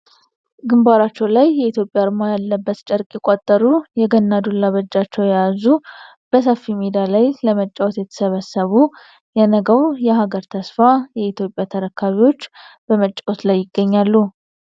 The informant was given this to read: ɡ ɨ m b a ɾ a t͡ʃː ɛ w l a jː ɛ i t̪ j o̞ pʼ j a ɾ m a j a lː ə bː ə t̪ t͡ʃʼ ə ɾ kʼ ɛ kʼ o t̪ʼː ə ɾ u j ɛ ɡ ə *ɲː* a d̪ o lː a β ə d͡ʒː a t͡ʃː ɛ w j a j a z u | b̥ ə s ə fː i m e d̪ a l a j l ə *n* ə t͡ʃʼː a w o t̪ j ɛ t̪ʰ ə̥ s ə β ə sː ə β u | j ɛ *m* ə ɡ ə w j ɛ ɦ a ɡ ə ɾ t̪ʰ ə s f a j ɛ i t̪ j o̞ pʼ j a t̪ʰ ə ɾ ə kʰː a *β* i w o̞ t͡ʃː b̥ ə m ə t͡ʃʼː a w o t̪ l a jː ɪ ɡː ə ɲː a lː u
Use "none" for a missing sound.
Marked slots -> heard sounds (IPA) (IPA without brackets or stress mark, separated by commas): nː, m, n, β